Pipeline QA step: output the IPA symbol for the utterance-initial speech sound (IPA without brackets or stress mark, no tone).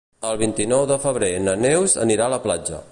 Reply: ə